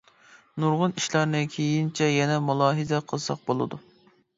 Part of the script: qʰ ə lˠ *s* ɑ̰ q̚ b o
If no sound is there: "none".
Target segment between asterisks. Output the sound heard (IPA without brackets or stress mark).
s